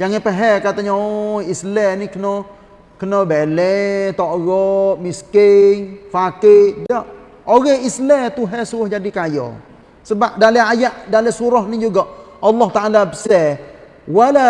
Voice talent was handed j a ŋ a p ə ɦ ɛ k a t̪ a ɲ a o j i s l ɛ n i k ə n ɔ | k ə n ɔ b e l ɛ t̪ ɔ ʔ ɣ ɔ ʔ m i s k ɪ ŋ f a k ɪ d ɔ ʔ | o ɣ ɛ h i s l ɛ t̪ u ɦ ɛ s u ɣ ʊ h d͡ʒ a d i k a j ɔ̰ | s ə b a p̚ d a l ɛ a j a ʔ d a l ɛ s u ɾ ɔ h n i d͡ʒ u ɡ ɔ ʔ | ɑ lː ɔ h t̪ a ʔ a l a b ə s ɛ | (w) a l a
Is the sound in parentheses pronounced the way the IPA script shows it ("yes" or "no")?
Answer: yes